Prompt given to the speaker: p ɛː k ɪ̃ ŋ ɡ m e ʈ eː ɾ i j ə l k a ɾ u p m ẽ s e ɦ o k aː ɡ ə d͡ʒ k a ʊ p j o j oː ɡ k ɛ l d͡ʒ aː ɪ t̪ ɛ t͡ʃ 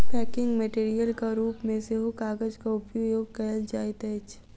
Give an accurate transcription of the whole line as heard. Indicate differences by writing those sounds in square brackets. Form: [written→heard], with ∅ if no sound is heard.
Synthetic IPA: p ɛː k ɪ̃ ŋ ɡ m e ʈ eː ɾ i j ə l k a ɾ [u→uː] p m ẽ s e ɦ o k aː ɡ ə d͡ʒ k a ʊ p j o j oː ɡ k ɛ l d͡ʒ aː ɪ t̪ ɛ t͡ʃ